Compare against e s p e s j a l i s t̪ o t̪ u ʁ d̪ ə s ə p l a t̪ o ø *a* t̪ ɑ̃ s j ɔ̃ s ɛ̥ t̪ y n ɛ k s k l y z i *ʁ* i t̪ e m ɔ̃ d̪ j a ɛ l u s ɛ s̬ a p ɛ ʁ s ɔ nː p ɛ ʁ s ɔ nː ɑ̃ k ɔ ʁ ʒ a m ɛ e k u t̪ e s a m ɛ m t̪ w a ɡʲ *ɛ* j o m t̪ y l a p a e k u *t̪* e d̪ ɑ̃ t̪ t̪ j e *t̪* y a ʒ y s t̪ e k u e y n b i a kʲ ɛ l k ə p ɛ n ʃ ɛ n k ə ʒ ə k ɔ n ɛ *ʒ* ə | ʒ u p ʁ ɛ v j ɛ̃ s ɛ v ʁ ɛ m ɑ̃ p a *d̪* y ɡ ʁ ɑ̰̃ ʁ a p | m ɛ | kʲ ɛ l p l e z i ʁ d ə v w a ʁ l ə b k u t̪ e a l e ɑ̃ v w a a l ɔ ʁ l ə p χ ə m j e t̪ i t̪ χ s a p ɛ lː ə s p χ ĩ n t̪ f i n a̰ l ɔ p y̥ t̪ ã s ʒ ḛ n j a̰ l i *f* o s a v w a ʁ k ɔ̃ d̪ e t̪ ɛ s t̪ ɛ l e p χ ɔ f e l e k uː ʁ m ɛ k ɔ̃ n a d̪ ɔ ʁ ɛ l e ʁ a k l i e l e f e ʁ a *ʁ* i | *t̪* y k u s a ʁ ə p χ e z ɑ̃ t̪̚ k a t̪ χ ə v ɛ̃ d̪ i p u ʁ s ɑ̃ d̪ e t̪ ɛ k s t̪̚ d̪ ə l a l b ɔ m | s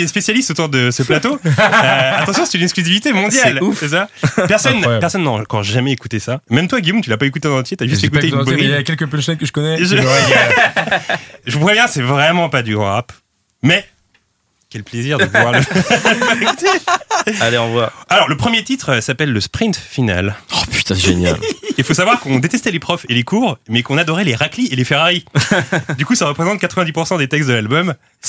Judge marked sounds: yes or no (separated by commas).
yes, no, no, yes, yes, yes, yes, yes, yes, no